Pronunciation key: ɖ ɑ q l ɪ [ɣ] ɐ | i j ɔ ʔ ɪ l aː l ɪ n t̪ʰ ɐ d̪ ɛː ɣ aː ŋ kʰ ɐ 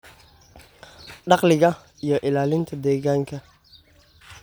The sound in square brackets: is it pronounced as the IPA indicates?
yes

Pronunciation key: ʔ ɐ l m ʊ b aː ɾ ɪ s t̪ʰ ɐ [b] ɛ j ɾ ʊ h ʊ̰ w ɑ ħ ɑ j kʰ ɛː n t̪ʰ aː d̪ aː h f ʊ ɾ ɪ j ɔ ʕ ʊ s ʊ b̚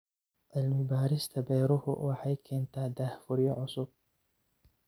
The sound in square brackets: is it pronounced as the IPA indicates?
yes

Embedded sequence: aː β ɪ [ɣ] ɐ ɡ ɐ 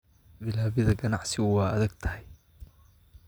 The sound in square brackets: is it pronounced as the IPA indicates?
no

